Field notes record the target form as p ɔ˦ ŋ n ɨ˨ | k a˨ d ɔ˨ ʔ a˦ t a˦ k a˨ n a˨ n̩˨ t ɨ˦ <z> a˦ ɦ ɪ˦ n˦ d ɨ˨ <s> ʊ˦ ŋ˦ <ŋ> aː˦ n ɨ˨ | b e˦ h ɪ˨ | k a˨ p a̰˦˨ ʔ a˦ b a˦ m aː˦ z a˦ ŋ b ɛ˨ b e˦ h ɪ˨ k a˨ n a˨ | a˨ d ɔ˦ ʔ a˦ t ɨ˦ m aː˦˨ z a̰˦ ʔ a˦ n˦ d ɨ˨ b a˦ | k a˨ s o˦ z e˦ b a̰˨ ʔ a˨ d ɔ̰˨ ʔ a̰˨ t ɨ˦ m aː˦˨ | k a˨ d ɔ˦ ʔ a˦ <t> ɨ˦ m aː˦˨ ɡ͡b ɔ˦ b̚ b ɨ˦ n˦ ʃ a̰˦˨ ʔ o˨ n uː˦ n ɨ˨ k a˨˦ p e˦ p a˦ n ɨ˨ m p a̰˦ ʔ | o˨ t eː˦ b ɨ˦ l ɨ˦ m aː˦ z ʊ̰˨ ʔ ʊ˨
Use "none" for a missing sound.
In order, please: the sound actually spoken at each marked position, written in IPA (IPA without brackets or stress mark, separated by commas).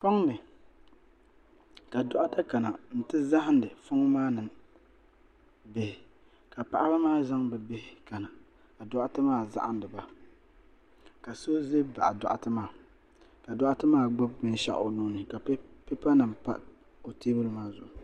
z, f, m, t